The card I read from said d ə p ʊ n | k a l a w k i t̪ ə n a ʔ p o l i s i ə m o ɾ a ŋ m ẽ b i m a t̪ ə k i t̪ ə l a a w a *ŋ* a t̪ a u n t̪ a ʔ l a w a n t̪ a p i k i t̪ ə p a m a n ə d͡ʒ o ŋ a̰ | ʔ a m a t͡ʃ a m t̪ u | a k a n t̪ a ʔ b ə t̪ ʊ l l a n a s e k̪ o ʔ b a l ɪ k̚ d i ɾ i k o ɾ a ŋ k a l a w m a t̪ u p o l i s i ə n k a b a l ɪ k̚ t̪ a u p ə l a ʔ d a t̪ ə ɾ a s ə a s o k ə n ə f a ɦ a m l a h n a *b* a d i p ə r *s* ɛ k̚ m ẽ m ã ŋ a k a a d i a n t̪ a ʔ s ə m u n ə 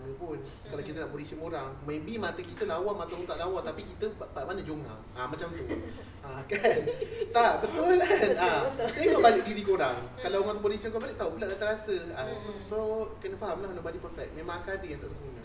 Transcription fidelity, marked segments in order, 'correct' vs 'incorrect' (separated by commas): incorrect, correct, incorrect